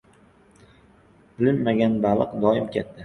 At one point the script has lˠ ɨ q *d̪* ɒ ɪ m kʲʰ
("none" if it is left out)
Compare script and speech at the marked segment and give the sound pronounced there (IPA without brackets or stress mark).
d̪